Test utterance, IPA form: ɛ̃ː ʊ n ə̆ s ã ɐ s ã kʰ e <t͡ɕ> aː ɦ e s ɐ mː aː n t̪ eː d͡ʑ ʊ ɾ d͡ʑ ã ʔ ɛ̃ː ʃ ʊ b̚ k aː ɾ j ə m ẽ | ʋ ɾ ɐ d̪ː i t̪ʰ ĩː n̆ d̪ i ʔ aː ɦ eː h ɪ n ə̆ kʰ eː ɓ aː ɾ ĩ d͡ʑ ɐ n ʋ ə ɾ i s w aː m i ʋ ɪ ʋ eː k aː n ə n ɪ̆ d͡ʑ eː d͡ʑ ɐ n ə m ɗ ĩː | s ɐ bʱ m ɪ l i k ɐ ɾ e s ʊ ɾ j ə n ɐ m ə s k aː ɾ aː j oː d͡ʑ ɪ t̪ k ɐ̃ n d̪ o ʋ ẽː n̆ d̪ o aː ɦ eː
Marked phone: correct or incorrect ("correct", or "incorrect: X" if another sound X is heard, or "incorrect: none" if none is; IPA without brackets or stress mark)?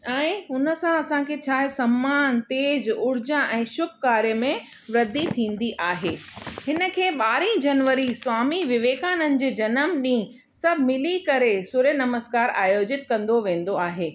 incorrect: t͡ɕʰ